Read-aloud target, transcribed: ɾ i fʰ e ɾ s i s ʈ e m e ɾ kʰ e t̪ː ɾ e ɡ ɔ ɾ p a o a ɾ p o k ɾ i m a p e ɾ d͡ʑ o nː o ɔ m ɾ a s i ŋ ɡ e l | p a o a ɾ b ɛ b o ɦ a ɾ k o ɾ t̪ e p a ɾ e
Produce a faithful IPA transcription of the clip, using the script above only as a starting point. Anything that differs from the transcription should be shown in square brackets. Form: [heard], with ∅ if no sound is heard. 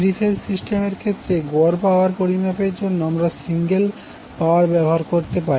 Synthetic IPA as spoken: ɾ i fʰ e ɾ s i s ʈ e m e ɾ kʰ e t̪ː ɾ e ɡ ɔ ɾ p a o a ɾ p o [∅] ɾ i m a p e ɾ d͡ʑ o nː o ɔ m ɾ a s i ŋ ɡ e l | p a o a ɾ b ɛ b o ɦ a ɾ k o ɾ t̪ e p a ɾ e